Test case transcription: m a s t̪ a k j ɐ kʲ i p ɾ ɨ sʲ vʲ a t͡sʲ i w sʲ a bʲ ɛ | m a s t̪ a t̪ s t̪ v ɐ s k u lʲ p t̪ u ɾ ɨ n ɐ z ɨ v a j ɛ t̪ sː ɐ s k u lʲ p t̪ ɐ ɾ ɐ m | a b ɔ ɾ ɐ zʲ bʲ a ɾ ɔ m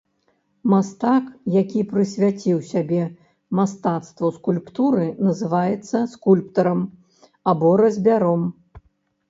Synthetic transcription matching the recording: m a s t̪ a k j a kʲ i p ɾ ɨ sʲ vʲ a t͡sʲ i w sʲ a bʲ ɛ | m a s t̪ a t̪ s t̪ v ɐ s k u lʲ p t̪ u ɾ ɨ n ɐ z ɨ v a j ɛ t̪ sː ɐ s k u lʲ p t̪ ɐ ɾ ɐ m | a b ɔ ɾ ɐ zʲ bʲ a ɾ ɔ m

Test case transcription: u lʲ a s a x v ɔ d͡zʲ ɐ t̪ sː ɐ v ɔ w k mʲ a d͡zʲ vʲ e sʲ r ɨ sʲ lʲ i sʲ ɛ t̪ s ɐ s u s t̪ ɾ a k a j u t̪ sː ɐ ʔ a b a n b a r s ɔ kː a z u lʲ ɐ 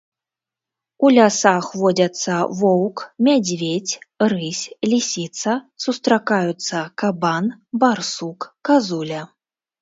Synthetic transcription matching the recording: u lʲ a s a x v ɔ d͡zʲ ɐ t̪ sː ɐ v ɔ w k mʲ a d͡zʲ vʲ e t͡sʲ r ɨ sʲ lʲ i sʲ i t̪ s ɐ s u s t̪ ɾ a k a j u t̪ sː ɐ k a b a n b a r s u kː a z u lʲ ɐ

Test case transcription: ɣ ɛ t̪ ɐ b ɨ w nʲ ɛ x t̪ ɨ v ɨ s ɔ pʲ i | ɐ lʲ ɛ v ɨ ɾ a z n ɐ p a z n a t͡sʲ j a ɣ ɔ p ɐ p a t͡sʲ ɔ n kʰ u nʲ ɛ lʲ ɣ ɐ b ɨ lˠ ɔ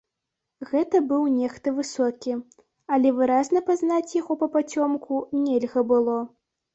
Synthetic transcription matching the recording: ɣ ɛ t̪ ɐ b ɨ w nʲ ɛ x t̪ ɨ v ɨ s ɔ kʲ i | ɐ lʲ ɛ v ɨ ɾ a z n ɐ p a z n a t͡sʲ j a ɣ ɔ p ɐ p a t͡sʲ ɔ m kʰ u nʲ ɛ lʲ ɣ ɐ b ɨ lˠ ɔ

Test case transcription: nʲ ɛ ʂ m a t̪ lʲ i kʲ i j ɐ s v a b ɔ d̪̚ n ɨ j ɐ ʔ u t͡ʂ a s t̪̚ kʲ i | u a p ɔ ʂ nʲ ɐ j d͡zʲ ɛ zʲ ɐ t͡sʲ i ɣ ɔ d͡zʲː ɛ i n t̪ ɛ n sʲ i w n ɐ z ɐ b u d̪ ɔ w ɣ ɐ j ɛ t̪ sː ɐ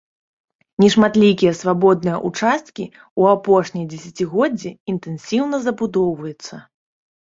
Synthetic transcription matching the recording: nʲ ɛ ʂ m a t̪ lʲ i kʲ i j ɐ s v a b ɔ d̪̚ n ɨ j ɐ ʔ u t͡ʂ a s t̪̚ kʲ i | u a p ɔ ʂ nʲ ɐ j d͡zʲ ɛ sʲ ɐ t͡sʲ i ɣ ɔ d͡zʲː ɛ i n t̪ ɛ n sʲ i w n ɐ z ɐ b u d̪ ɔ w v ɐ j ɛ t̪ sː ɐ

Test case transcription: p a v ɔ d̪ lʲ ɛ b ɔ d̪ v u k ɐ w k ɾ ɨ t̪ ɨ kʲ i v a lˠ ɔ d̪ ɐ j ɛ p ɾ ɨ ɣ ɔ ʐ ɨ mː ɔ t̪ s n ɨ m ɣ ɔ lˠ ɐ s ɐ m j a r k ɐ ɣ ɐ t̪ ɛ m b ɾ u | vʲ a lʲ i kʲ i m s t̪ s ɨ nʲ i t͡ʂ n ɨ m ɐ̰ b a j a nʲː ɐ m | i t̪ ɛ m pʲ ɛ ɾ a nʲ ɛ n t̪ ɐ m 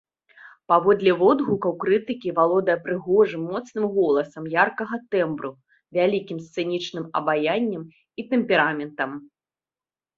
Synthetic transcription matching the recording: p a v ɔ d̪ lʲ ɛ v ɔ d̪ ɣ u k ɐ w k ɾ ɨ t̪ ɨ kʲ i v a lˠ ɔ d̪ ɐ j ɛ p ɾ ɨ ɣ ɔ ʐ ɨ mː ɔ t̪ s n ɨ m ɣ ɔ lˠ ɐ s ɐ m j a r k ɐ ɣ ɐ t̪ ɛ m b ɾ u | vʲ a lʲ i kʲ i m s t̪ s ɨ nʲ i t͡ʂ n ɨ m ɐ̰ b a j a nʲː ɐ m | i t̪ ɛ m pʲ ɛ ɾ a mʲ ɛ n t̪ ɐ m

